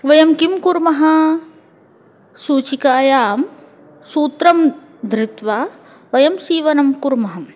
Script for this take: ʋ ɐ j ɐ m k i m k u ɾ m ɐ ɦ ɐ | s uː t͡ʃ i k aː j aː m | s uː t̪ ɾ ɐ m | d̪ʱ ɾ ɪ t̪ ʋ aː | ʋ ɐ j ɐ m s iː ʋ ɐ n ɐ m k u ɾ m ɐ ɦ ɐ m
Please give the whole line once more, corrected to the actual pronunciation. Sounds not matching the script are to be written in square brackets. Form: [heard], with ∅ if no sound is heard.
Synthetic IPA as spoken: ʋ ɐ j ɐ m k i m k u ɾ m ɐ ɦ ɐ | s uː t͡ʃ i k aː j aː m | s uː t̪ ɾ ɐ m | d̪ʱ ɾ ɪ t̪ ʋ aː | ʋ ɐ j ɐ m s iː ʋ ɐ n ɐ m k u ɾ m ɐ ɦ ɐ m